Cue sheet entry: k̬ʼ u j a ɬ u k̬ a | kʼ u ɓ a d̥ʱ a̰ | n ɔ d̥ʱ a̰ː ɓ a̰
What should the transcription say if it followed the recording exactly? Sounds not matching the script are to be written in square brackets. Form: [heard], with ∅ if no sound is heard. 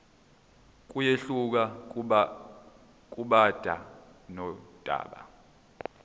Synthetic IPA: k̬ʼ u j [e] ɬ u k̬ a | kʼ u ɓ a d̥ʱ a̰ | n ɔ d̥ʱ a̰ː ɓ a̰

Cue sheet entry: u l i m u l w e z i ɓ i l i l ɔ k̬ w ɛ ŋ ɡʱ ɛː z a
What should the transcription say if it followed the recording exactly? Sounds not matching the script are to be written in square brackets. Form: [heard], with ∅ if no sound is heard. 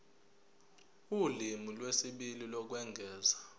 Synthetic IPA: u l i m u l w e [s] i ɓ i l i l ɔ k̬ w ɛ ŋ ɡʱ ɛː z a

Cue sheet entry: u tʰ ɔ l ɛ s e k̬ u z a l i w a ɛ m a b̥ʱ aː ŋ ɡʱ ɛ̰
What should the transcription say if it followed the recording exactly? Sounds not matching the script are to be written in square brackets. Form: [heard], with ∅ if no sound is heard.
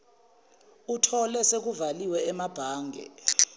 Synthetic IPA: u tʰ ɔ l ɛ s e k̬ u [v] a l i w [ɛ] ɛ m a b̥ʱ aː ŋ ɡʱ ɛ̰

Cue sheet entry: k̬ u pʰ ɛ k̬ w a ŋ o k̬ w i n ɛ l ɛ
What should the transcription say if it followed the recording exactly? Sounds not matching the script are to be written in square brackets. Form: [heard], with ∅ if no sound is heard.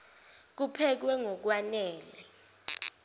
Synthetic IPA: k̬ u pʰ ɛ k̬ w [ɛ] ŋ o k̬ w [a] n [ɛː] l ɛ

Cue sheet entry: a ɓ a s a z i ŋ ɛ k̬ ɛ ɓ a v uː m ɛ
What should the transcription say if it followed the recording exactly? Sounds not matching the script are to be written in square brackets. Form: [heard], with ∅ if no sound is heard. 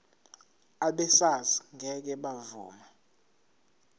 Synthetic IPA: a ɓ [ɛ] s a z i ŋ ɛ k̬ ɛ ɓ a v uː m [a]

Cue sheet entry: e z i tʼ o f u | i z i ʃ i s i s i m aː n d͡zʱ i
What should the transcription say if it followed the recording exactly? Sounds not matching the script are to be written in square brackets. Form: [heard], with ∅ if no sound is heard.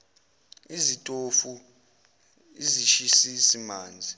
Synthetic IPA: [i] z i tʼ o f u | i z i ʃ i s i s i m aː n d͡zʱ i

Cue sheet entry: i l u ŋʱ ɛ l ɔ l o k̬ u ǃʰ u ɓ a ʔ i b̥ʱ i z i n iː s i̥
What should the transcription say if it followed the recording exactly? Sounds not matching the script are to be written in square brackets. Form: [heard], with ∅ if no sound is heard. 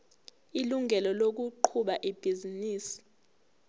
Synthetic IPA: i l u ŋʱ ɛ l ɔ l o k̬ u ǃʰ u ɓ a ʔ i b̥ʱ i z i n iː s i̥

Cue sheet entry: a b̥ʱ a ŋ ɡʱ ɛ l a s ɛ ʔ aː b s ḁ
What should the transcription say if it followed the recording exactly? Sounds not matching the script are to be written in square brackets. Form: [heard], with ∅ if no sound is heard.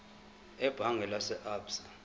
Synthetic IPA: [ɛ] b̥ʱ a ŋ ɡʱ ɛ l a s ɛ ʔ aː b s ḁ

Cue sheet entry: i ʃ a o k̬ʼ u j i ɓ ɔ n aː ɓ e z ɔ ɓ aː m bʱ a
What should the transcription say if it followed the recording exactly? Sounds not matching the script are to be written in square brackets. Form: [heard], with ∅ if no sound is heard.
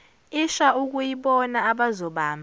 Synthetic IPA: i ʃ a [u] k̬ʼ u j i ɓ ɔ n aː ɓ [a] z ɔ ɓ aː m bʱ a

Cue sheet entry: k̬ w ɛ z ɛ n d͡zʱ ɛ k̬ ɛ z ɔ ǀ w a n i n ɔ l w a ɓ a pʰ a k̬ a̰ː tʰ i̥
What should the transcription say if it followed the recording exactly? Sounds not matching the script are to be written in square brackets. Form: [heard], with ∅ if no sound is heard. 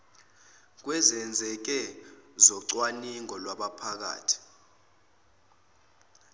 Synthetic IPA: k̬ w ɛ z ɛ n d͡zʱ ɛ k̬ ɛ z ɔ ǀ w a n i [ŋ] ɔ l w a ɓ a pʰ a k̬ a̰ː tʰ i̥

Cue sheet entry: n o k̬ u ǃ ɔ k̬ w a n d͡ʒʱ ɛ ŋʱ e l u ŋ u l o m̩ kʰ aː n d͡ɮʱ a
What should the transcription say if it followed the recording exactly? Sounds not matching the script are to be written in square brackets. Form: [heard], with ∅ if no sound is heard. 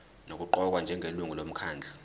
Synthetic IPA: n o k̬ u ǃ ɔ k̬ w a n d͡ʒʱ ɛ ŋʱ e l u ŋ u l o m̩ kʰ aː n d͡ɮʱ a

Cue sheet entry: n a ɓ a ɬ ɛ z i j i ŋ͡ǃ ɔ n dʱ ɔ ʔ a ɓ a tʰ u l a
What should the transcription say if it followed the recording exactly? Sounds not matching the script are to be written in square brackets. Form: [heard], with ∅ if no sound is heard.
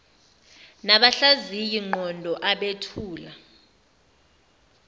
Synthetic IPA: n a ɓ a ɬ [a] z i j i ŋ͡ǃ ɔ n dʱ ɔ ʔ a ɓ [e] tʰ [uː] l a

